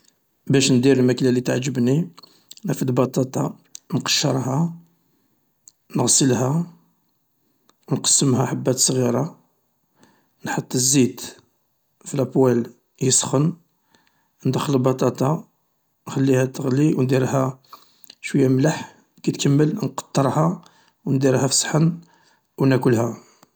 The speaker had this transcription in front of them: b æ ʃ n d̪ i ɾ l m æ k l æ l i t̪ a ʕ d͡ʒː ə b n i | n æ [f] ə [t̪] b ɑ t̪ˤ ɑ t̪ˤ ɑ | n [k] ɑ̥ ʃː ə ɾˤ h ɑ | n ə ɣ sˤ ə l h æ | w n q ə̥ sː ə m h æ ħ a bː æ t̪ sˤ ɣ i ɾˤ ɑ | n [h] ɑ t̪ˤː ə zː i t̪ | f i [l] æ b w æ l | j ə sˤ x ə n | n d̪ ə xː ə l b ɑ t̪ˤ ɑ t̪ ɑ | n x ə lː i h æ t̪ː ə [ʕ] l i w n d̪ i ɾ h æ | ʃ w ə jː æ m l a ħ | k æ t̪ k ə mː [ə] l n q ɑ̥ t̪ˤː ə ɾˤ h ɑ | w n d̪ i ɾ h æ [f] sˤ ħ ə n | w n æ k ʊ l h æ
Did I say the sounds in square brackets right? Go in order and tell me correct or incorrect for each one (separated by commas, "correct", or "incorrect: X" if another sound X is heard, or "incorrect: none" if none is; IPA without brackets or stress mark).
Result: correct, incorrect: d̪, incorrect: q, incorrect: ħ, correct, incorrect: ɣ, correct, correct